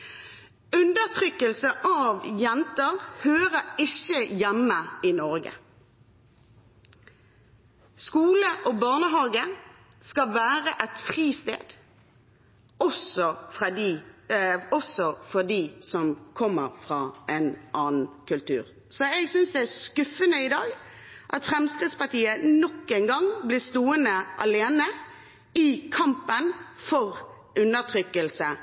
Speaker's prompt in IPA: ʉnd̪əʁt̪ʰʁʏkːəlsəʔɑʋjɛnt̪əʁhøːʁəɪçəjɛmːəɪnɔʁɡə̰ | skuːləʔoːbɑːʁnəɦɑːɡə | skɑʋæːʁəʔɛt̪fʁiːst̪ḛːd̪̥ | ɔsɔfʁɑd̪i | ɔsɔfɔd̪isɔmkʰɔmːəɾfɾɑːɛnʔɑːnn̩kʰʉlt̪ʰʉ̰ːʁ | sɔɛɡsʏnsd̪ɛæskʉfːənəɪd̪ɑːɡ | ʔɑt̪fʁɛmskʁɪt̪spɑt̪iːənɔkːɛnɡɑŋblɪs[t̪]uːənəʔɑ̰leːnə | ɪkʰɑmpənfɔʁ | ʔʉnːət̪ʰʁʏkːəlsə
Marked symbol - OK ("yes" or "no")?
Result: yes